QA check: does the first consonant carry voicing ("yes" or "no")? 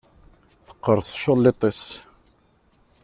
no